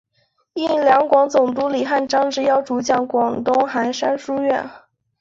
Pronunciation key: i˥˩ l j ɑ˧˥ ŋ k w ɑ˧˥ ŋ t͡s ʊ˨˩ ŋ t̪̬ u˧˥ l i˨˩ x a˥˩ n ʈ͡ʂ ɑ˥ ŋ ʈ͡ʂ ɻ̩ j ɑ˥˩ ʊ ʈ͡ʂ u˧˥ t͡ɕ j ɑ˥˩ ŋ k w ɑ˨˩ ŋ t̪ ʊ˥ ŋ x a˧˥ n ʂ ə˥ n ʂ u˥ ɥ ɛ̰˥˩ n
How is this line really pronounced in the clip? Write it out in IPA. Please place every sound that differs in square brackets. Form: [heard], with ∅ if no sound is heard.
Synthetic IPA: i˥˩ l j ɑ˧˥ ŋ k w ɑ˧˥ ŋ t͡s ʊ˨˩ ŋ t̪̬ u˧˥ l i˨˩ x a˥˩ n ʈ͡ʂ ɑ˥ ŋ ʈ͡ʂ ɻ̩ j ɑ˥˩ ʊ ʈ͡ʂ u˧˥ t͡ɕ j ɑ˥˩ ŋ k w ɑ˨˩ ŋ t̪ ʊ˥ ŋ x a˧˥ n ʂ [a˥] n ʂ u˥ ɥ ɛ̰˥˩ n